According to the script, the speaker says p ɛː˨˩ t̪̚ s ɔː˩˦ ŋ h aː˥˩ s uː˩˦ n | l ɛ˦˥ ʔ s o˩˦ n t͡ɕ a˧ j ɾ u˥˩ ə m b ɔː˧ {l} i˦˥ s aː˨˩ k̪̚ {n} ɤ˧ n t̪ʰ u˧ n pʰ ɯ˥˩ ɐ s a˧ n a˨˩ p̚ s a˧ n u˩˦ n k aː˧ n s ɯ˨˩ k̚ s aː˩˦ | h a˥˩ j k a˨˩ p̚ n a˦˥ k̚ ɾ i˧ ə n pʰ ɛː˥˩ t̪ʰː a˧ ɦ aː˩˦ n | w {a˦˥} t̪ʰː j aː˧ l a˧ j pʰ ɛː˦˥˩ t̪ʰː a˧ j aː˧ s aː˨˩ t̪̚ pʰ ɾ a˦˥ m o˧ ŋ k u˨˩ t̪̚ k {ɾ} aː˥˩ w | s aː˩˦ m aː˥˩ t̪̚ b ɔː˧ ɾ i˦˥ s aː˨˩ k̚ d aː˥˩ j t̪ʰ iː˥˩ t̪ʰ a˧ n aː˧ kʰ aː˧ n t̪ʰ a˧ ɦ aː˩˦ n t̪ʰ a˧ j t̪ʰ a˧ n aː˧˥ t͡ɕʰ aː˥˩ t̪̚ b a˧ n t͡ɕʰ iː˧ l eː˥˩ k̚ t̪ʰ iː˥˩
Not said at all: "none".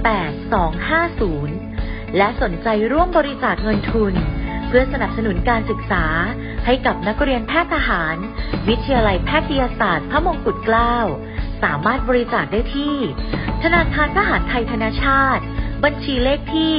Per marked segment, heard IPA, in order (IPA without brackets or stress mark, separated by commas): ɾ, ŋ, i˦˥, l